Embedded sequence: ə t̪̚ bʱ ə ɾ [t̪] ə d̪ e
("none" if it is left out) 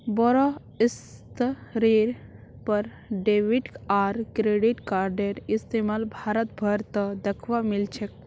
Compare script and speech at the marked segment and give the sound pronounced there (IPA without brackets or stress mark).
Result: t̪